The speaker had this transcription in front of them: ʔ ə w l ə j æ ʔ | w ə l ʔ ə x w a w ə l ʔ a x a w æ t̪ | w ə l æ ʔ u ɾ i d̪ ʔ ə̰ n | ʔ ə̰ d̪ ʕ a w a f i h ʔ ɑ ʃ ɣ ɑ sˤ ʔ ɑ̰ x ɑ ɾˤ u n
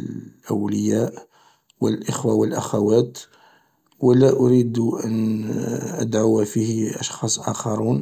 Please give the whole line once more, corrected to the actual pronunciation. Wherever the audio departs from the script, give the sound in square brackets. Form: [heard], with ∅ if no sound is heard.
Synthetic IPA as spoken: ʔ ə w l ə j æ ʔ | w ə l ʔ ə x w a w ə l ʔ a x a w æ t̪ | w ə l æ ʔ [ʊ] ɾ i d̪ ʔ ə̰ n | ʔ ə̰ d̪ ʕ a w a f i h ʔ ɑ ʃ [x] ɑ sˤ ʔ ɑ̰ x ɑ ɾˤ u n